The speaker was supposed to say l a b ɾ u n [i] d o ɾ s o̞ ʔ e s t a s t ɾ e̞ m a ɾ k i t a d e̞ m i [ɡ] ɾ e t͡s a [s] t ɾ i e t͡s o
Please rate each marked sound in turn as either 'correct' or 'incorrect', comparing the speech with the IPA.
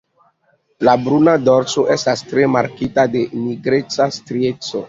incorrect, correct, correct

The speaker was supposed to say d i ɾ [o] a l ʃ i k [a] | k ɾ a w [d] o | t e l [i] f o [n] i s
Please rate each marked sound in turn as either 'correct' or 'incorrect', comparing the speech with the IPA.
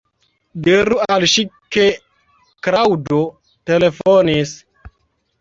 incorrect, incorrect, correct, incorrect, correct

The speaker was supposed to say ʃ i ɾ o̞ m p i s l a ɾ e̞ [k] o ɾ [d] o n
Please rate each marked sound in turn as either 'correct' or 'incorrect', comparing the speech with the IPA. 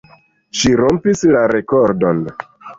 correct, correct

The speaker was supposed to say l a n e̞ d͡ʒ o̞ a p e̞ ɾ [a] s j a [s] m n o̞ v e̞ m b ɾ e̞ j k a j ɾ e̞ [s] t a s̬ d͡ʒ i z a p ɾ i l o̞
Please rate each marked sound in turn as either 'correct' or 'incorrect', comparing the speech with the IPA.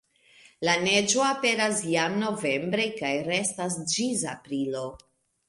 correct, incorrect, correct

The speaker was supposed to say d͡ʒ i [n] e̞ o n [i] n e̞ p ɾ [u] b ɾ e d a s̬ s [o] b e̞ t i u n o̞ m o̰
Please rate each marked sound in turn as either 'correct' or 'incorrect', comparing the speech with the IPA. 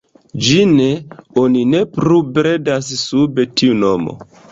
correct, correct, correct, incorrect

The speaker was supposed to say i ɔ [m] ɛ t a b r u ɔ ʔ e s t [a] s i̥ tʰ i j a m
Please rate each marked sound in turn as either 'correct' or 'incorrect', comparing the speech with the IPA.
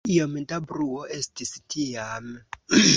correct, incorrect

